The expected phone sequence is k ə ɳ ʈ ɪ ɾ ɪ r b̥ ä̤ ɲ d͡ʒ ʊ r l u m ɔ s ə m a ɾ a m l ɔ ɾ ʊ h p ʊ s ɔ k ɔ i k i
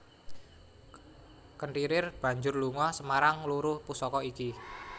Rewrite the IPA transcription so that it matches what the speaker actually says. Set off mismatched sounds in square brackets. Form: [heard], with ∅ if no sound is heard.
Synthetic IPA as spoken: k ə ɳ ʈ [i] ɾ ɪ r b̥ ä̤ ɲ d͡ʒ ʊ r l u [ŋ] ɔ s ə m a ɾ a [ŋ] l [u] ɾ ʊ h p [u] s ɔ k ɔ i k i